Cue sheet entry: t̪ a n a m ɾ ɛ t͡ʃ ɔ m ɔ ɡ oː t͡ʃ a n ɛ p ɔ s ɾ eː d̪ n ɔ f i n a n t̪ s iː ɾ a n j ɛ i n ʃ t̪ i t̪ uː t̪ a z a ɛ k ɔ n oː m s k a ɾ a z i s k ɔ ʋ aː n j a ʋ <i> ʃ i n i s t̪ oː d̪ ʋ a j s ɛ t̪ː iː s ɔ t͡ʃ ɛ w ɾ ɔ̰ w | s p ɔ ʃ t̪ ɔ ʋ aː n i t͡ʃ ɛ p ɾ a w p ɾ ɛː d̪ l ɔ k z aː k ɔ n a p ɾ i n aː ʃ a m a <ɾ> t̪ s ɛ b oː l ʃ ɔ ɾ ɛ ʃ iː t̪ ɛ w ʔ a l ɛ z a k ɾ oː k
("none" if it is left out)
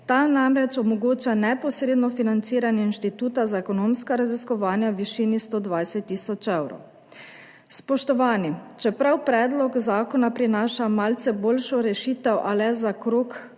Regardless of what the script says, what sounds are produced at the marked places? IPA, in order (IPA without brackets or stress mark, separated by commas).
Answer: i, l